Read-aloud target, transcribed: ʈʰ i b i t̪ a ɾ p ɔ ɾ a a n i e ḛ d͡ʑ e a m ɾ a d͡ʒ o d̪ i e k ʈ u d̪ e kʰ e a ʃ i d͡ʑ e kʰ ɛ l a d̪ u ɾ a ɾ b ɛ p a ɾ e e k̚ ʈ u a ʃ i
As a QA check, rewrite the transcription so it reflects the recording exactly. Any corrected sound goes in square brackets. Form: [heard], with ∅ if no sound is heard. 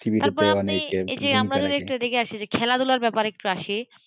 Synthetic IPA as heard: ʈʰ i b i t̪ a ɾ p ɔ ɾ a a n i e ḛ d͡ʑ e a m ɾ a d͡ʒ o d̪ i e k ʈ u d̪ e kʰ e a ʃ i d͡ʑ e kʰ ɛ l a d̪ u [l] a ɾ b ɛ p a ɾ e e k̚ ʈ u a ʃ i